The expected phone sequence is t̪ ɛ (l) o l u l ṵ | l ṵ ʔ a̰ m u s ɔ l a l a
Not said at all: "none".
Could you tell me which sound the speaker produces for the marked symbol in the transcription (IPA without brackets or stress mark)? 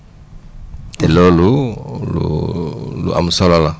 l